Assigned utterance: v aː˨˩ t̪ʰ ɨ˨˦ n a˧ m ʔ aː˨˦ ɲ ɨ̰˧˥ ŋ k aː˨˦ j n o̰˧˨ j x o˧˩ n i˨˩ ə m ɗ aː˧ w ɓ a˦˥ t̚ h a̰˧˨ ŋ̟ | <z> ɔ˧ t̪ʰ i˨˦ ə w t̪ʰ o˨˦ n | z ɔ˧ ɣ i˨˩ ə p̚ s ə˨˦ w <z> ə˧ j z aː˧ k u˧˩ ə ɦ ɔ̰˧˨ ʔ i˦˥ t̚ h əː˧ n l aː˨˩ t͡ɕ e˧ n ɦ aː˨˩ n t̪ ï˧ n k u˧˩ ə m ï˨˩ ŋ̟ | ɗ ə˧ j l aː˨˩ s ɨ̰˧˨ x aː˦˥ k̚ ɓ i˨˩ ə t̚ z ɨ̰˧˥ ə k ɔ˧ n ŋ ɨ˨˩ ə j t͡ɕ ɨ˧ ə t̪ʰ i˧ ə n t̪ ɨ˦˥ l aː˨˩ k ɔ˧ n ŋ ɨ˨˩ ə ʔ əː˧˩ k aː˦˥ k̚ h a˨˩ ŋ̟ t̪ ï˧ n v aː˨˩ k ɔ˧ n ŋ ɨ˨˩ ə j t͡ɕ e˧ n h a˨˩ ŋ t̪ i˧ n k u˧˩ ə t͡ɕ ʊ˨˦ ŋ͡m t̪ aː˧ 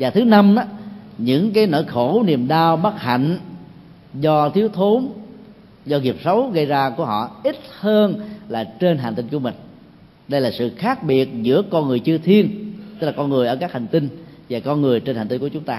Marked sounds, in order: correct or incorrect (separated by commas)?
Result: correct, incorrect